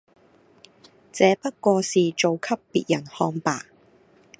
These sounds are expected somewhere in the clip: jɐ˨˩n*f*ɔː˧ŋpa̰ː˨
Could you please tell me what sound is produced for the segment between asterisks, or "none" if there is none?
h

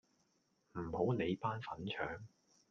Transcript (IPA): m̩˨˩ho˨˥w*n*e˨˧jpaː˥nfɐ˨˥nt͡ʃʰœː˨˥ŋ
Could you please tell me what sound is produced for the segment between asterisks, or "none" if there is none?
n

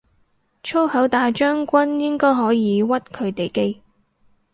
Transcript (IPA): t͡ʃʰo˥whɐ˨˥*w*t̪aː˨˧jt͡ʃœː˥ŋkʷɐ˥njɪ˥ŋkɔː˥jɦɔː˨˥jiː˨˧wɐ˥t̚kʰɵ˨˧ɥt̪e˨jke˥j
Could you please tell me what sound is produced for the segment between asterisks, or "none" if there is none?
w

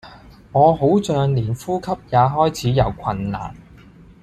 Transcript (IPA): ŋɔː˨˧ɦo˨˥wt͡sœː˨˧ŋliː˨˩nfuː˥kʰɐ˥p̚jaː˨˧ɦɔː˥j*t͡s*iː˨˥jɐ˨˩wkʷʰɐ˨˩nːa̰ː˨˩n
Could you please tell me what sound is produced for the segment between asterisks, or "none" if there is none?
t͡sʰ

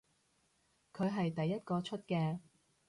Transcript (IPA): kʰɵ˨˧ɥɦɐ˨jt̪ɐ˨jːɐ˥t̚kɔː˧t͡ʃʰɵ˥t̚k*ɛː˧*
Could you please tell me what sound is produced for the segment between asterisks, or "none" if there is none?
ɛː˧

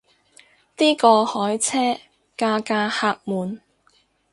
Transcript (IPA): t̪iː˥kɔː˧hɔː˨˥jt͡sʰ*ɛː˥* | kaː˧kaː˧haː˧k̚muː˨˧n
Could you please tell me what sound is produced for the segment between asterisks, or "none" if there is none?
ɛː˥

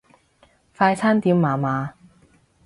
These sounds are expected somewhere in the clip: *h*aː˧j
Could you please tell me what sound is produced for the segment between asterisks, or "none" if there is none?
f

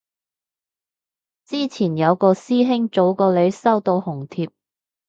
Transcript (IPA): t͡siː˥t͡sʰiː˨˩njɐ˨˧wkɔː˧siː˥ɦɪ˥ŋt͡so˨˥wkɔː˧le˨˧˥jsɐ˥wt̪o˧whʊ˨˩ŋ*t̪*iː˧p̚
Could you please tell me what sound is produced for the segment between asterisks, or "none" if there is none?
t̪ʰ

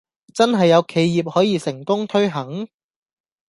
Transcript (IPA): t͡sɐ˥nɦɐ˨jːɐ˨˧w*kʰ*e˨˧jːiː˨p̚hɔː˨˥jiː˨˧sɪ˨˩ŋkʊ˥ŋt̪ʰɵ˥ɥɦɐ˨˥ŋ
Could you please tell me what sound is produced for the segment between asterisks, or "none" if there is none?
kʰ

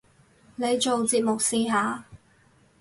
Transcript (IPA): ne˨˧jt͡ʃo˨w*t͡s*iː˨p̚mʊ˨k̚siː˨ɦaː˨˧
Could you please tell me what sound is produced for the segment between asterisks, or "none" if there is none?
t͡s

